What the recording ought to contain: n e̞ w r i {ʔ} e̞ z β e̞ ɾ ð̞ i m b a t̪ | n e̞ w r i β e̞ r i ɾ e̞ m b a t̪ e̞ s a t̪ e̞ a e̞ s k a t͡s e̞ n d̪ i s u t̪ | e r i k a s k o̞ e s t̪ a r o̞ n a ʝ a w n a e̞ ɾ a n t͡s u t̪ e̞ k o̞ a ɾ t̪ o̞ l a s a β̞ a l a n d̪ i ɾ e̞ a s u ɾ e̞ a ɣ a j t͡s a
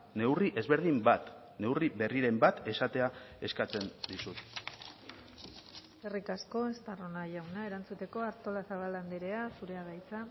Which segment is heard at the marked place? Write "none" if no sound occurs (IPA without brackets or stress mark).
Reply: ʔ